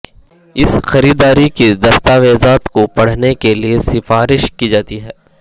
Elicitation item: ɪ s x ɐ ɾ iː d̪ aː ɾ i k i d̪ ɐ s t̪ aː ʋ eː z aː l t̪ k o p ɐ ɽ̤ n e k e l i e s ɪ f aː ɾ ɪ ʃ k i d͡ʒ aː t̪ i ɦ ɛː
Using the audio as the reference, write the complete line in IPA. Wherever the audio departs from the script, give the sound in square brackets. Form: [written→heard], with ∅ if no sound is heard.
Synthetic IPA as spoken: ɪ s x ɐ ɾ iː d̪ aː ɾ i k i d̪ ɐ s t̪ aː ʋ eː z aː [l→∅] t̪ k o p ɐ ɽ̤ n e k e l i e s ɪ f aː ɾ ɪ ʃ k i d͡ʒ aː t̪ i ɦ ɛː